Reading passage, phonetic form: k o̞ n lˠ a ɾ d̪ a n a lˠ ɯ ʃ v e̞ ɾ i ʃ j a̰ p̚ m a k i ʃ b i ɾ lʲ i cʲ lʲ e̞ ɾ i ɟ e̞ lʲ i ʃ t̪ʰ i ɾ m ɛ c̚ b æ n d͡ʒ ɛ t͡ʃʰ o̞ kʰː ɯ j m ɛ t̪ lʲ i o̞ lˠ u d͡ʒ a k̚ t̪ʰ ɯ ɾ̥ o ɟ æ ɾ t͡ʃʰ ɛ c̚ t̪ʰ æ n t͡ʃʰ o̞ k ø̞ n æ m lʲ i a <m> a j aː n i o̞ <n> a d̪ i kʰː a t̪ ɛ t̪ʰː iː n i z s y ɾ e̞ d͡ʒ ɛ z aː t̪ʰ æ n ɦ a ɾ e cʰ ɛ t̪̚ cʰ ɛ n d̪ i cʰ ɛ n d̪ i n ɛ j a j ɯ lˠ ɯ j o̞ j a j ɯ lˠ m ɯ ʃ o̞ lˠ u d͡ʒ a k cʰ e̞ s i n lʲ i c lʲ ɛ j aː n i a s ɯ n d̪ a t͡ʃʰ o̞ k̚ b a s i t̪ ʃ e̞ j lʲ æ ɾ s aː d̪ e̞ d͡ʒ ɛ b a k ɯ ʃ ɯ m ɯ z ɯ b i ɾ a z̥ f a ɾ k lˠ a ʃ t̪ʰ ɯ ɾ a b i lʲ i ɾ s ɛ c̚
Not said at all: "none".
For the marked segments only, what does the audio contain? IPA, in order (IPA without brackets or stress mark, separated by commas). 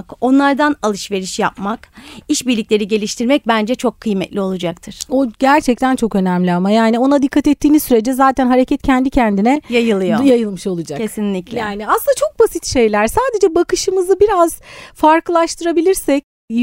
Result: m, n